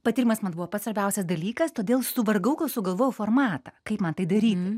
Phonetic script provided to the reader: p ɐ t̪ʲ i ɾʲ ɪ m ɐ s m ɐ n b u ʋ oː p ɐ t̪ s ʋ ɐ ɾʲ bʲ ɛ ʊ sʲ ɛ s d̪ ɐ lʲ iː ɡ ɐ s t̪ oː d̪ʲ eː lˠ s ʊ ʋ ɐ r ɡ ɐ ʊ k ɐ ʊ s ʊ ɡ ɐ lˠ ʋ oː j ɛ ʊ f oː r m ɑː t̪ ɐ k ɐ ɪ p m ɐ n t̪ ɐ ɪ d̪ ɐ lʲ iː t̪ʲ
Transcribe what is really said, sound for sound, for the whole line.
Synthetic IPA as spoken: p ɐ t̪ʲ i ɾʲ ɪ m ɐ s m ɐ n b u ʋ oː p ɐ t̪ s ʋ ɐ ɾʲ bʲ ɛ ʊ sʲ ɛ s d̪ ɐ lʲ iː k ɐ s t̪ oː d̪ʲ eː lˠ s ʊ ʋ ɐ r ɡ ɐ ʊ k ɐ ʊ s ʊ ɡ ɐ lˠ ʋ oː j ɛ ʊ f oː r m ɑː t̪ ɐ k ɐ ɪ p m ɐ n t̪ ɐ ɪ d̪ ɐ ɾʲ iː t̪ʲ